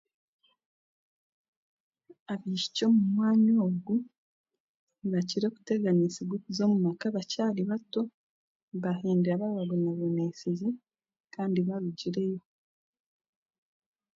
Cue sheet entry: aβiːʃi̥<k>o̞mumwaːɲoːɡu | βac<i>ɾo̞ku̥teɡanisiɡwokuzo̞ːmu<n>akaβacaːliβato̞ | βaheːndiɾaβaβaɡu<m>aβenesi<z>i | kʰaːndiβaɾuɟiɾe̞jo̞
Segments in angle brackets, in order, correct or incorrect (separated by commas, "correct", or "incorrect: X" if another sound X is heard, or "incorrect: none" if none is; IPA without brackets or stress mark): incorrect: c, correct, incorrect: m, incorrect: n, correct